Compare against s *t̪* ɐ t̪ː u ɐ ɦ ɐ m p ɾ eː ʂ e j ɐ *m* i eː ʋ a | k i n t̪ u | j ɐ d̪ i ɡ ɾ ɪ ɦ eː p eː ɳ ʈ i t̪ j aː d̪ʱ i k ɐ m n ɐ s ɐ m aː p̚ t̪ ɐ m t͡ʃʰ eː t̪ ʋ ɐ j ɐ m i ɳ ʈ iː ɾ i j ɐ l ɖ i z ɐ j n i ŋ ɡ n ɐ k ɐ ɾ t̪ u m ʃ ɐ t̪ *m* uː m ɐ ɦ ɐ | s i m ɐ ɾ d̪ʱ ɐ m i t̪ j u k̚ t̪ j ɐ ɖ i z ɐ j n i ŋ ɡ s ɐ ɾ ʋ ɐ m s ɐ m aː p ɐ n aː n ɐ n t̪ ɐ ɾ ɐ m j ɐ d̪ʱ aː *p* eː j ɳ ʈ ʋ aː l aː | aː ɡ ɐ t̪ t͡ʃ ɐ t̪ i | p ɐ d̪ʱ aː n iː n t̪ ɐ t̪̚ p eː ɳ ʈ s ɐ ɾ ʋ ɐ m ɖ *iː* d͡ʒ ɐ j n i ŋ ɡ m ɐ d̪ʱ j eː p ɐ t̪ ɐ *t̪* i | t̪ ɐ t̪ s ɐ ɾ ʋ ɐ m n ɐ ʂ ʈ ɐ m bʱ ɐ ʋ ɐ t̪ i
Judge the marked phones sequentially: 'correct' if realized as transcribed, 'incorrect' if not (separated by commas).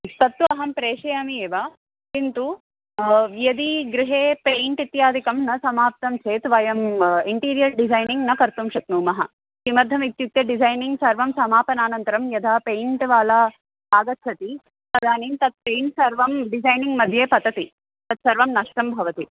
correct, correct, incorrect, correct, incorrect, correct